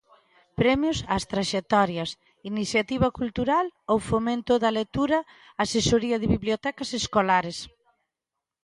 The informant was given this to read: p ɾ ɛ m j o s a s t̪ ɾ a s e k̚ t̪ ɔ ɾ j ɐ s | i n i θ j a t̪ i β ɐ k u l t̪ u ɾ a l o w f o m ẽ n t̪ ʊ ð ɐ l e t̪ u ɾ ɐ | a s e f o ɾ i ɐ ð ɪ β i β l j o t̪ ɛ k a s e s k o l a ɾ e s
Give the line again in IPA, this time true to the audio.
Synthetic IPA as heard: p ɾ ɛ m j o s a s t̪ ɾ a ʃ e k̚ t̪ ɔ ɾ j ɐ s | i n i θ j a t̪ i β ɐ k u l t̪ u ɾ a l o w f o m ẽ n t̪ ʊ ð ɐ l e t̪ u ɾ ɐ | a s e s o ɾ i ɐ ð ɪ β i β l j o t̪ ɛ k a s e s k o l a ɾ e s